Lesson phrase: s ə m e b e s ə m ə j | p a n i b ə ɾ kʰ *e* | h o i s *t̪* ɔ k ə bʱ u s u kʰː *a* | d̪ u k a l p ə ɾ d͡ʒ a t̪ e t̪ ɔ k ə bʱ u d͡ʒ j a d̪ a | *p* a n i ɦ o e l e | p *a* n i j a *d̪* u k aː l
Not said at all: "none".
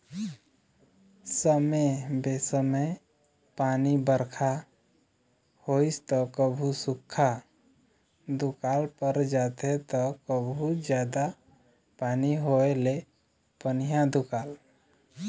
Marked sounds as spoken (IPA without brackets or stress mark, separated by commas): a, t̪, a, p, ə, d̪